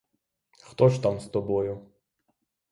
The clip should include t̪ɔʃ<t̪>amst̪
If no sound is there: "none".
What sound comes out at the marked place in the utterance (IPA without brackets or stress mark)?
t̪